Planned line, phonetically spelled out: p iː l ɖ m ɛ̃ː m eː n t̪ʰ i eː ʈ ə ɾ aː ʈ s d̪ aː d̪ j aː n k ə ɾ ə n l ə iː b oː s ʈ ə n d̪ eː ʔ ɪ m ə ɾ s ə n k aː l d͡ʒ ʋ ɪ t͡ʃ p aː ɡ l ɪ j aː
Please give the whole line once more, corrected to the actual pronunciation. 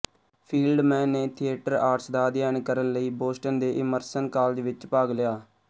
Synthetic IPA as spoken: pʰ iː l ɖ m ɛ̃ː n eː t̪ʰ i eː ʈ ə ɾ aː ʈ s d̪ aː d̪ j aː n k ə ɾ ə n l ə iː b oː s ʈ ə n d̪ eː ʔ ɪ m ə ɾ s ə n k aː l d͡ʒ ʋ ɪ t͡ʃ p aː ɡ l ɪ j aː